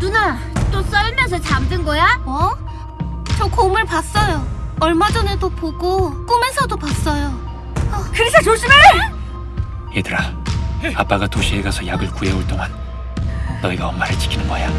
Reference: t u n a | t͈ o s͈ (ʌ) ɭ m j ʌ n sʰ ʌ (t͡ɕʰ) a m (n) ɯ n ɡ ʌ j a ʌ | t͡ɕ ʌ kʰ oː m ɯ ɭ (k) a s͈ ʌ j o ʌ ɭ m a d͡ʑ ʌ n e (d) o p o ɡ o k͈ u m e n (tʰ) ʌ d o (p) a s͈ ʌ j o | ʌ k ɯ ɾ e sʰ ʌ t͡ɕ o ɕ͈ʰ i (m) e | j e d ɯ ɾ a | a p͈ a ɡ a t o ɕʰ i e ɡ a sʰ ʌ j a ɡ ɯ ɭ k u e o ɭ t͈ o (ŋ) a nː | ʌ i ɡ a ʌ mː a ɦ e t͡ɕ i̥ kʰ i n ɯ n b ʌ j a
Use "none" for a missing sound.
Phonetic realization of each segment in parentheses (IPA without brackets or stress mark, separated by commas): ʌ, t͡ɕ, d, p, d, sʰ, p, m, ŋ